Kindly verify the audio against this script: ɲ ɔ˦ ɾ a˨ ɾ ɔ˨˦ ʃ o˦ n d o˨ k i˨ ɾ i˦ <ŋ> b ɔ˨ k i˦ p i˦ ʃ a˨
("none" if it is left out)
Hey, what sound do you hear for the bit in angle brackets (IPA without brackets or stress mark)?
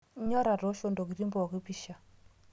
m